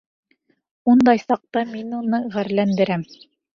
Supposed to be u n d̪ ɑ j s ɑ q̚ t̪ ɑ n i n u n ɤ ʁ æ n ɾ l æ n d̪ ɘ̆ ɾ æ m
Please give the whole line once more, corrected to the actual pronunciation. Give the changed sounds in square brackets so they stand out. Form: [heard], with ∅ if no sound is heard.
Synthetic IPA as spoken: u n d̪ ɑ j s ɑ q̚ t̪ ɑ [m] i n u n ɤ ʁ æ [∅] ɾ l æ n d̪ ɘ̆ ɾ æ m